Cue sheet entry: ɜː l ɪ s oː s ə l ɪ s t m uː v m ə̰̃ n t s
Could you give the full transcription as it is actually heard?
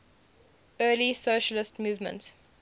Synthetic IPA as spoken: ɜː l i s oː ʃ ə l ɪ s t m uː v m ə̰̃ n t s